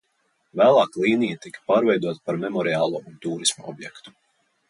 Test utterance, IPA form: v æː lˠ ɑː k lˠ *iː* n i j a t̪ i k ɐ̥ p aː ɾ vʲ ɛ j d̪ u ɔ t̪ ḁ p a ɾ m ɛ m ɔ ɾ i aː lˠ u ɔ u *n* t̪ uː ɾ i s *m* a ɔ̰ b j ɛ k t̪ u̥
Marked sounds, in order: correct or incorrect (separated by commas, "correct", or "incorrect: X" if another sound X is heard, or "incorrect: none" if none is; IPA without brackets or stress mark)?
correct, correct, correct